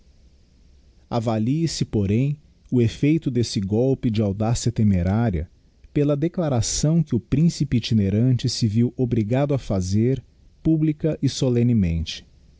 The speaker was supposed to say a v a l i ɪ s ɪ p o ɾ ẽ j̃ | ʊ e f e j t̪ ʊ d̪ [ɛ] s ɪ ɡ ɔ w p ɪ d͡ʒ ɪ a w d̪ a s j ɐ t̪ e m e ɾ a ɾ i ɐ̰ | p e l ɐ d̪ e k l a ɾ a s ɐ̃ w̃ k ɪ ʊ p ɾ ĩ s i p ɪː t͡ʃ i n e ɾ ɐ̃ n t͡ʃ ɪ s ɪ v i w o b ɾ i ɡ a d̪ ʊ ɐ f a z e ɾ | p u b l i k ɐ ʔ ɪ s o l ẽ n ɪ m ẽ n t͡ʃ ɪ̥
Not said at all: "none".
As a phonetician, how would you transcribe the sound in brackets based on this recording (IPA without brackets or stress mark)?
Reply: e